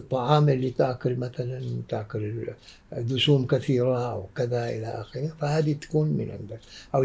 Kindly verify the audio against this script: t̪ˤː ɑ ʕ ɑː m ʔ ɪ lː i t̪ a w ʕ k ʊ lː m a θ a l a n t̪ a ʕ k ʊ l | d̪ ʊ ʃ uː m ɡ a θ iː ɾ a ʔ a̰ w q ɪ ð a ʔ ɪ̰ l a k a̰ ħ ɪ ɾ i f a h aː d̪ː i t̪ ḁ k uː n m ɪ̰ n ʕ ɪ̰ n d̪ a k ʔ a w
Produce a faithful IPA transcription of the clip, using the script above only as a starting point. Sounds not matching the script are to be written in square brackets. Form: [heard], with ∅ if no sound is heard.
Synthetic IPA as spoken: t̪ˤː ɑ ʕ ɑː m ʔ ɪ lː i t̪ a [∅] ʕ k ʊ [l] m a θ a l a n t̪ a ʕ k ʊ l | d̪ ʊ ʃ uː m [k] a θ iː ɾ a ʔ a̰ w [k] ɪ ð a ʔ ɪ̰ l a [ʔ] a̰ [x] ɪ ɾ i f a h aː [d̪] i t̪ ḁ k uː n m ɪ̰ n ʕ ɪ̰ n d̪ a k ʔ a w